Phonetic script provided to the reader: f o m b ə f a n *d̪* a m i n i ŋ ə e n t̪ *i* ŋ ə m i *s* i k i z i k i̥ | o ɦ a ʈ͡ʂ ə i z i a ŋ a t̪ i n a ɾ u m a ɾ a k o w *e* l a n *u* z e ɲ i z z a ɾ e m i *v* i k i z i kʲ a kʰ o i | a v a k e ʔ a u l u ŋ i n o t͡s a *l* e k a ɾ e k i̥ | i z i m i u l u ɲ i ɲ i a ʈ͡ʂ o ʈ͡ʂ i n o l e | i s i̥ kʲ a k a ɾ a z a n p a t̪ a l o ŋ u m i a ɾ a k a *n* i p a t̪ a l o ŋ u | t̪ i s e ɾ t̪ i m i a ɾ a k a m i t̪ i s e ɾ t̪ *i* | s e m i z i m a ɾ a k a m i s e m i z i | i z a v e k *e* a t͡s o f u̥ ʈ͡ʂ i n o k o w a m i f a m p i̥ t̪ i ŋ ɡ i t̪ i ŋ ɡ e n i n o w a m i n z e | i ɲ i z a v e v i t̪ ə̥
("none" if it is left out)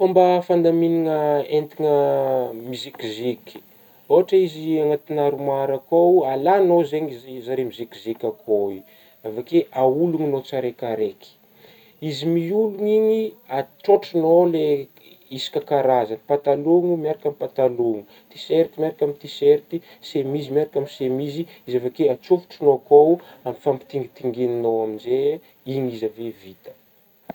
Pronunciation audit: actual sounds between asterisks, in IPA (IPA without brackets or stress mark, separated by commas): d̪, i, z, a, o, z, ɾ, m, i, e